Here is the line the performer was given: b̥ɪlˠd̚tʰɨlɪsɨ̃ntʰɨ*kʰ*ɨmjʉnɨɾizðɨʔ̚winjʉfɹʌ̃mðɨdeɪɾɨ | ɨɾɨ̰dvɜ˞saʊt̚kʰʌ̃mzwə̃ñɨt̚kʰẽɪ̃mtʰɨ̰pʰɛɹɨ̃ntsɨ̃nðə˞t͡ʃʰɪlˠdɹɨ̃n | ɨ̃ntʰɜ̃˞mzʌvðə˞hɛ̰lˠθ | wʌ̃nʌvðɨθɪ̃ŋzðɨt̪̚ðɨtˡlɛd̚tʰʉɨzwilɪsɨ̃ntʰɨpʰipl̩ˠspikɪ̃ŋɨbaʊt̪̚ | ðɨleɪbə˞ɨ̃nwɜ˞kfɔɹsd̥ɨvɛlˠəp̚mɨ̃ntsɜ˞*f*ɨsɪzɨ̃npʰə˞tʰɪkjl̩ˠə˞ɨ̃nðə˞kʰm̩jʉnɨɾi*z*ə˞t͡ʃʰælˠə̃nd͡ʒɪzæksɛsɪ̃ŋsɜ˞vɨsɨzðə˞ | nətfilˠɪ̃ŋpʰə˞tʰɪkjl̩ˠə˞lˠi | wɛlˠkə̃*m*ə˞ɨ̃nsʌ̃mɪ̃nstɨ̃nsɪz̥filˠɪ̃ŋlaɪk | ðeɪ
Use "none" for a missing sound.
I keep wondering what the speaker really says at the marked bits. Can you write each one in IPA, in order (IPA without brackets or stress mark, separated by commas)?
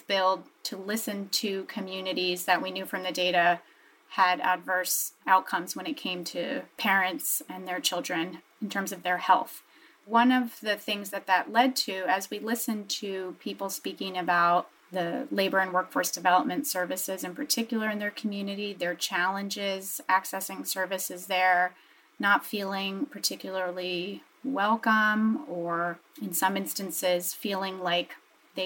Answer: kʰ, v, ð, m